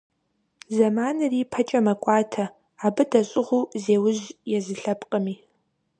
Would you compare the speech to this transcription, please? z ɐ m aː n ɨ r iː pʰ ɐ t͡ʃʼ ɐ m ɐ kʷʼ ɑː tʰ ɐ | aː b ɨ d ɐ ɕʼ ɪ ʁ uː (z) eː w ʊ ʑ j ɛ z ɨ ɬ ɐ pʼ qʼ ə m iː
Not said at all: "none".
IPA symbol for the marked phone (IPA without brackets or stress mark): z